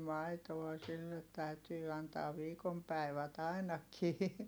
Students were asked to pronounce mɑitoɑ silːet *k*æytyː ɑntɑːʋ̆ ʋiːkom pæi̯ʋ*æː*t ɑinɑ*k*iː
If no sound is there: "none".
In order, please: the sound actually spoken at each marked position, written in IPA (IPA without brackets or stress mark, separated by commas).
t, æ, k